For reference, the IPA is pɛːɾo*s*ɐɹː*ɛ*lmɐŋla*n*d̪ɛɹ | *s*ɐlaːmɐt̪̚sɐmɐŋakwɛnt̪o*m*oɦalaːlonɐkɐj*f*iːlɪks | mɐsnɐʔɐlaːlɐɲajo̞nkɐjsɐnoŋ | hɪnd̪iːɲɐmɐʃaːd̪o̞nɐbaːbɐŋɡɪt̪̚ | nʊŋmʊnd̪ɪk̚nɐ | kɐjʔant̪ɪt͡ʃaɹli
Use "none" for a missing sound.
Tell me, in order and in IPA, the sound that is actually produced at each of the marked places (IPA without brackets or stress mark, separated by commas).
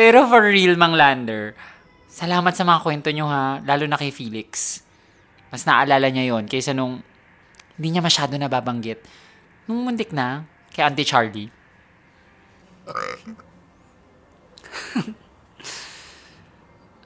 f, i, n, s, ɲ, f